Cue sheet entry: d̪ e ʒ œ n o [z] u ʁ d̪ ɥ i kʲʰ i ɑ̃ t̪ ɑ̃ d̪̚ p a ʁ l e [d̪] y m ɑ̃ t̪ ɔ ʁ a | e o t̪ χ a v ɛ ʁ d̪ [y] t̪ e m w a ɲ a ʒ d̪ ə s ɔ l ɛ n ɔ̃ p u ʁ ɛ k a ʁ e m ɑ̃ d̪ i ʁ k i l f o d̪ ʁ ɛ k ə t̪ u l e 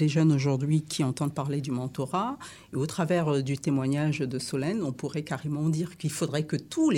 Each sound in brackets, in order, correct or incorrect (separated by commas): incorrect, correct, correct